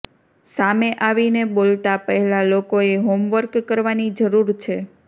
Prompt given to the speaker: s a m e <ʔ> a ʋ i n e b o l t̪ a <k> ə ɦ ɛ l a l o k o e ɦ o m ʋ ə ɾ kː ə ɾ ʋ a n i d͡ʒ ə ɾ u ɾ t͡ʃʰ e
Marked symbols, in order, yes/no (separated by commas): yes, no